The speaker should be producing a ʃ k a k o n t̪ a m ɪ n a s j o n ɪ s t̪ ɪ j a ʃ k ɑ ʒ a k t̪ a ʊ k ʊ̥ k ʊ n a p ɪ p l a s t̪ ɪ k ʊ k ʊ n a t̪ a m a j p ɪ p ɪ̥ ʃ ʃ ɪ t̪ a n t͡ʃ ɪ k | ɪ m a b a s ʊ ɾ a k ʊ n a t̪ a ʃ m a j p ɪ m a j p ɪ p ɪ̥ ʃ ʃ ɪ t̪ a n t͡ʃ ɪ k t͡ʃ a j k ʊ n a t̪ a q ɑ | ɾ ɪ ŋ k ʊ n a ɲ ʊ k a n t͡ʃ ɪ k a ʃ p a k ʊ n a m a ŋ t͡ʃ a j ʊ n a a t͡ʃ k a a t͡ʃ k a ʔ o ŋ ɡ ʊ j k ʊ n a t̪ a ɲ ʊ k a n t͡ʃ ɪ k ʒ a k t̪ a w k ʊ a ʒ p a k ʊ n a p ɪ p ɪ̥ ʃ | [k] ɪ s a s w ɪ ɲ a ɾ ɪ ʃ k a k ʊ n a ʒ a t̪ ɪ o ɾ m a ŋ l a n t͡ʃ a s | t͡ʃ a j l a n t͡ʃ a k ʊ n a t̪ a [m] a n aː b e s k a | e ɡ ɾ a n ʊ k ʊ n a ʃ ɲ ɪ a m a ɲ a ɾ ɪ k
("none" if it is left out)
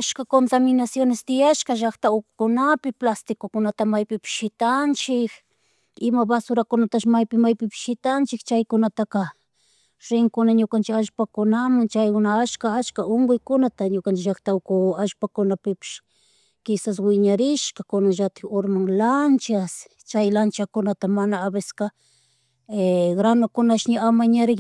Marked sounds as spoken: k, m

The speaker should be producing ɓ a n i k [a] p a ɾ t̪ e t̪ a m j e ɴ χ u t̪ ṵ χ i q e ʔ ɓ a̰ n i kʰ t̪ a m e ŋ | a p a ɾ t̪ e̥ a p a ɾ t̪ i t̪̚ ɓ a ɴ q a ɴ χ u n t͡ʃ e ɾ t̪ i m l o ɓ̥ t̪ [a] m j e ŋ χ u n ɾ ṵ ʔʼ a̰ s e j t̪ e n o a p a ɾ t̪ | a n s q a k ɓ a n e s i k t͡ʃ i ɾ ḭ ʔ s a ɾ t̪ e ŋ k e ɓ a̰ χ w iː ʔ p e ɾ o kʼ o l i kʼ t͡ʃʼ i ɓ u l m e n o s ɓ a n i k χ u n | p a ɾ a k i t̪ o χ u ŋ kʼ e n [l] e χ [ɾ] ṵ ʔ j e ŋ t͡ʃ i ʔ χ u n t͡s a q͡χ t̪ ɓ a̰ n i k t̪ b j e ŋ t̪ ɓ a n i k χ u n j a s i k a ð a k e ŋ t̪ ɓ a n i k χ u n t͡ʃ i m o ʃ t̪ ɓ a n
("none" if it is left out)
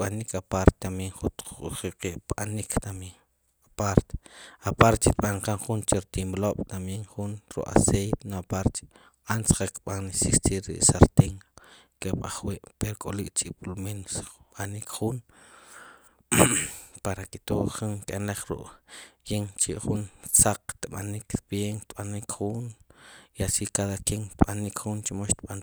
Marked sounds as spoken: a, a, l, ɾ

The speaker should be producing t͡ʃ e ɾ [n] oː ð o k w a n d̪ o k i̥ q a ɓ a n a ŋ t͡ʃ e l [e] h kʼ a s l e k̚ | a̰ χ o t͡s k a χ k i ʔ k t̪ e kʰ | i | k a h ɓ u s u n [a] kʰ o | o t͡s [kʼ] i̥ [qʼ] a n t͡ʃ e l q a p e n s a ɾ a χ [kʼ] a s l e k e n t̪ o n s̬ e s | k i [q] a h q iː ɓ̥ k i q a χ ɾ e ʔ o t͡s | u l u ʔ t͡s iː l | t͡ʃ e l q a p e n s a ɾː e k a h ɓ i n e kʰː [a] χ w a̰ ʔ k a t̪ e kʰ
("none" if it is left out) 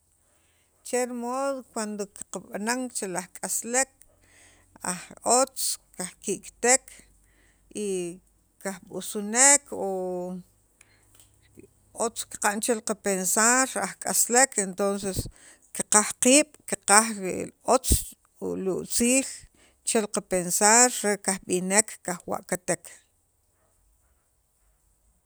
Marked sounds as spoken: m, a, e, k, q, kʼ, q, a

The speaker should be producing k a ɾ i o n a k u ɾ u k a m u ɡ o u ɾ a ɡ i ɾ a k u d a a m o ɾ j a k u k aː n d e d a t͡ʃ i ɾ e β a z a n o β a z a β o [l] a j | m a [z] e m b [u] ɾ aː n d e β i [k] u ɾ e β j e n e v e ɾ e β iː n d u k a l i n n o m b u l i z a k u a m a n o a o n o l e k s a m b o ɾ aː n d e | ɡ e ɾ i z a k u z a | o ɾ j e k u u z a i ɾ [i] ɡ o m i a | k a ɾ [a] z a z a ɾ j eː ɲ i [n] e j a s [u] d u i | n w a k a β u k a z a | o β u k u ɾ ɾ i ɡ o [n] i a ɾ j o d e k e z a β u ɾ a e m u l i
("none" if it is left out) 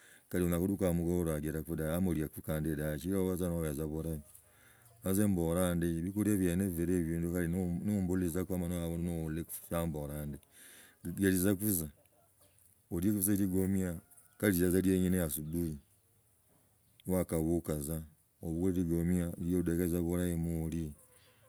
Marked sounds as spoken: ɾ, z, o, k, i, i, n, u, m

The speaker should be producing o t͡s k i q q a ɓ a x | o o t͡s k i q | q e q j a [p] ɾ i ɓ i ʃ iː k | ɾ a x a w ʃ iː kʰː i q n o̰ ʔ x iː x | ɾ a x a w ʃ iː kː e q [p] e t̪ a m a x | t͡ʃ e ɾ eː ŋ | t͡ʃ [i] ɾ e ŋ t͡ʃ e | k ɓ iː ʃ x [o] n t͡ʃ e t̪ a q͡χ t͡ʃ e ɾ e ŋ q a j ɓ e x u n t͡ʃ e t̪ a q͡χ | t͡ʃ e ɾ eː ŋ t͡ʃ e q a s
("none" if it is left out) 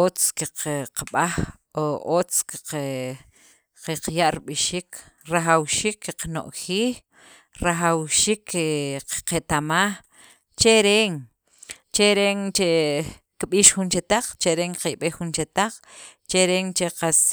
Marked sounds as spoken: ʔ, q, e, u

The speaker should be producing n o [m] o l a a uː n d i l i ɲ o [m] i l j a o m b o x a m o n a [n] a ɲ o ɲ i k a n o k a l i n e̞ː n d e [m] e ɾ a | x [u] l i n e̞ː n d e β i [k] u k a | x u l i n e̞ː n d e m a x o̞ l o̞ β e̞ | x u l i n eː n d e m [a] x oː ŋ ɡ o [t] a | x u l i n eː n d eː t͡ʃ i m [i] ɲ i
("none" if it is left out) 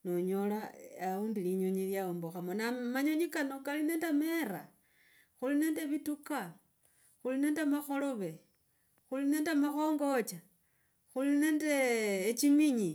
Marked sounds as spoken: ɲ, ɲ, m, m, u, t, a, t͡ʃ, i

